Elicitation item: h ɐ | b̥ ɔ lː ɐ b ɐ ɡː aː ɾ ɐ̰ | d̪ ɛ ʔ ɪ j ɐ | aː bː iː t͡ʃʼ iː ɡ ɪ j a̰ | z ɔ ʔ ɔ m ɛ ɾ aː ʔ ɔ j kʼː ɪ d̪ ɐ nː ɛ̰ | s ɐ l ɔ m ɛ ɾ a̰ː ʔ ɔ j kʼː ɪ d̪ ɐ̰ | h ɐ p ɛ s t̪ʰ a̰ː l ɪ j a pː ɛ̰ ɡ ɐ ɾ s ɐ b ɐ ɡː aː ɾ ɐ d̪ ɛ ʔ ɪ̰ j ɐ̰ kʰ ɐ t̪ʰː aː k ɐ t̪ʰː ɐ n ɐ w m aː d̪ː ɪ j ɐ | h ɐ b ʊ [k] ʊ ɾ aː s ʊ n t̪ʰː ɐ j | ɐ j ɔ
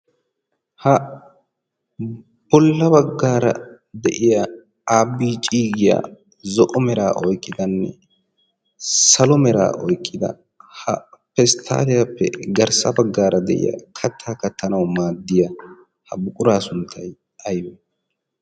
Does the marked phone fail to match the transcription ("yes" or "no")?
yes